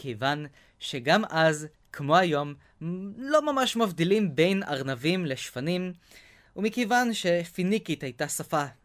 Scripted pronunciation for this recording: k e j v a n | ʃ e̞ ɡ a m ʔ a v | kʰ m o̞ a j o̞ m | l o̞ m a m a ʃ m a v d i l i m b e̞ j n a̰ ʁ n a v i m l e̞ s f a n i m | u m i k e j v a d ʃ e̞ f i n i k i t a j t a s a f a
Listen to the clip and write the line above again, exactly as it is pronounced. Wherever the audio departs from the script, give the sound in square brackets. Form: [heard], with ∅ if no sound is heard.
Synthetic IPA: k e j v a n | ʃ e̞ ɡ a m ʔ a [z] | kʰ m o̞ a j o̞ m | l o̞ m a m a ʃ m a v d i l i m b e̞ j n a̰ ʁ n a v i m l e̞ [ʃ] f a n i m | u m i k e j v a [n] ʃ e̞ f i n i k i t a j t a s a f a